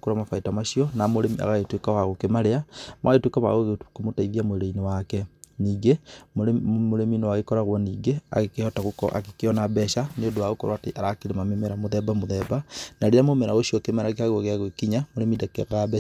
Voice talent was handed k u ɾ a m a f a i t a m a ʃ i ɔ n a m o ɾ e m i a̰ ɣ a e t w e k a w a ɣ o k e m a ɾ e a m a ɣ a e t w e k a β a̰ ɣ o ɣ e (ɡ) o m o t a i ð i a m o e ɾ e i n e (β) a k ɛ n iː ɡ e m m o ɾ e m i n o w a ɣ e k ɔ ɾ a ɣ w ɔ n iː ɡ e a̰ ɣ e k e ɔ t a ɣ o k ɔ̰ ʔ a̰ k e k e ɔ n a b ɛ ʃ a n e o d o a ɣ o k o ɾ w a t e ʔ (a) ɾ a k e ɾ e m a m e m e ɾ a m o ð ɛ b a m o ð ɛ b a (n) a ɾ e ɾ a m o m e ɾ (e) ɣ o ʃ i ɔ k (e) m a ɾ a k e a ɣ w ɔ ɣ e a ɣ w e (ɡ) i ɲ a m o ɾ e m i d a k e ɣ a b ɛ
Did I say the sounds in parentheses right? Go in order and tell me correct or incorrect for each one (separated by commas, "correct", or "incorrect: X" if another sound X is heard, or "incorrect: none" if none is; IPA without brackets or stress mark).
incorrect: k, incorrect: w, correct, correct, incorrect: a, correct, incorrect: k